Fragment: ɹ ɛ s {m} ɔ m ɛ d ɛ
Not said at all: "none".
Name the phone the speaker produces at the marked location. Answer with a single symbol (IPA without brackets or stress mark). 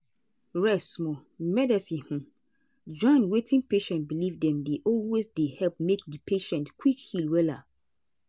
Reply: m